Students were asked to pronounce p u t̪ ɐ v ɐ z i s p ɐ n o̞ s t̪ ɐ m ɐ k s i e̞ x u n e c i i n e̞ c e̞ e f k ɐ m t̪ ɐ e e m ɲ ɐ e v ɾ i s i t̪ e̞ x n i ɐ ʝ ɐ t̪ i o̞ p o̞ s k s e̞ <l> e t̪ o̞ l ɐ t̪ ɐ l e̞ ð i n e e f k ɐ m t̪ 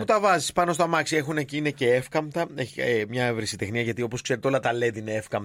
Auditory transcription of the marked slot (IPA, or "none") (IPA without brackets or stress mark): ɾ